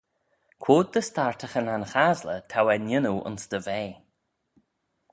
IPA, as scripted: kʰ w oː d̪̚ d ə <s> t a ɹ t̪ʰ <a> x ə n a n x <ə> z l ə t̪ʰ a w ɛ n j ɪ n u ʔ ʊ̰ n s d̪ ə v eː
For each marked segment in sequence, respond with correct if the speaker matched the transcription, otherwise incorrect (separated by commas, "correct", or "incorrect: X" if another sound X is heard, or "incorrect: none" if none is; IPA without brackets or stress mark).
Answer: correct, incorrect: ə, incorrect: a